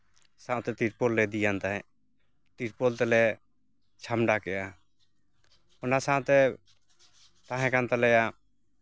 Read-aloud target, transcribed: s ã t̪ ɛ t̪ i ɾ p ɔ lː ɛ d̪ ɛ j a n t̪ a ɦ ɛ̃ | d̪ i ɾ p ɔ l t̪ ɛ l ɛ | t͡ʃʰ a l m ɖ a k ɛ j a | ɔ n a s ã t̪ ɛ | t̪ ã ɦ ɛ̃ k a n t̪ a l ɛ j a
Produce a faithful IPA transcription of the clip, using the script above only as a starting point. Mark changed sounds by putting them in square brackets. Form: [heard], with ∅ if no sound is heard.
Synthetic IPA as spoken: s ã t̪ ɛ t̪ i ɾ p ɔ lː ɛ d̪ [i] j a n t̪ a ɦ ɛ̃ | [t̪] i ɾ p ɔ l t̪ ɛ l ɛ | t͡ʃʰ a [∅] m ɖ a k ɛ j a | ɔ n a s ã t̪ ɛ | t̪ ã ɦ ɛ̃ k a n t̪ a l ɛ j a